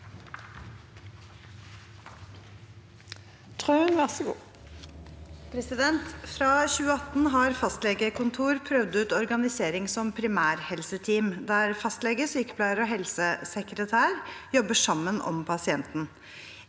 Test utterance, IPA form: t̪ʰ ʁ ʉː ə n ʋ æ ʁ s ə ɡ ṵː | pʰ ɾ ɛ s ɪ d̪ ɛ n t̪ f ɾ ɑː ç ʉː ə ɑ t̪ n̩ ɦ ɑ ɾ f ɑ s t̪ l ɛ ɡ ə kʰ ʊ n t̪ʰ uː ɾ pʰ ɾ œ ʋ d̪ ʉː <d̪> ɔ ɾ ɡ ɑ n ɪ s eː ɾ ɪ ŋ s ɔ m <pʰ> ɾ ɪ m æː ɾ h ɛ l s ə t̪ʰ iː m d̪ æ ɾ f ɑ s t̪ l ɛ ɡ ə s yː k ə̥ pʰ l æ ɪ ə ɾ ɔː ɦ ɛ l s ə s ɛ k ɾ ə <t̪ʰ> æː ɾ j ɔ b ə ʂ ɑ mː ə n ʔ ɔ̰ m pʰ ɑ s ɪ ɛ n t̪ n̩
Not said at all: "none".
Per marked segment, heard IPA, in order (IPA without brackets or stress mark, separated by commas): t̪, pʰ, t̪ʰ